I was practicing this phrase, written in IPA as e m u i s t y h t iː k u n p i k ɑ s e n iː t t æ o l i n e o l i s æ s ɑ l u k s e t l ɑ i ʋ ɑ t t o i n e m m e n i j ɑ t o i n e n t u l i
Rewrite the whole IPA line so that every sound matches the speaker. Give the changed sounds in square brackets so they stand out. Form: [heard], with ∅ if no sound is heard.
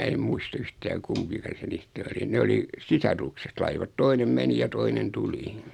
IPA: e m u i s t y h t [æː] k u [m] p i k ɑ s e n iː [s] t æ o l i n e o l i s [i] s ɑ [r] u k s e t l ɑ i ʋ ɑ t t o i n e m m e n i j ɑ t o i n e n t u l i